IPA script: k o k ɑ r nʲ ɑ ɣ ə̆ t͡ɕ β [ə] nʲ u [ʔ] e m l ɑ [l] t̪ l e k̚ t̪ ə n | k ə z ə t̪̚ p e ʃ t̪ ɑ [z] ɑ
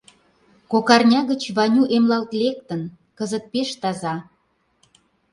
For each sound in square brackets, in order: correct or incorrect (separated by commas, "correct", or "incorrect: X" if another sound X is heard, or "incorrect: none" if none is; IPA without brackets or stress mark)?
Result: incorrect: ɑ, correct, correct, correct